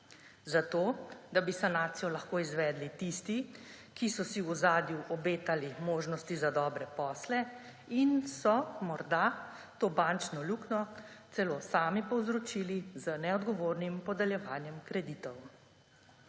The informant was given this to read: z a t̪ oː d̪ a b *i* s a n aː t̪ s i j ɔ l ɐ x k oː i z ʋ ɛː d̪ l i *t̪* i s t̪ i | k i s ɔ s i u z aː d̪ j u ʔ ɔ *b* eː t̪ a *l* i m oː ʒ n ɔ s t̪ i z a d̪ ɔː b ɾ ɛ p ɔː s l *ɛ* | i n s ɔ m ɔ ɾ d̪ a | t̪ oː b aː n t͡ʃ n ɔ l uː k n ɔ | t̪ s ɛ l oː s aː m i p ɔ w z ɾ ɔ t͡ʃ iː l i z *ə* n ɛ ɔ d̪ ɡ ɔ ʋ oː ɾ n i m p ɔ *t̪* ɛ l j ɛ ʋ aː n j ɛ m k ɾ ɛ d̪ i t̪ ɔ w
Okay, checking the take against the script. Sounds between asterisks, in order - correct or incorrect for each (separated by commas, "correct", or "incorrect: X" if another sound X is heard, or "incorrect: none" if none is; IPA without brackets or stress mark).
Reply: correct, correct, correct, correct, correct, correct, incorrect: d̪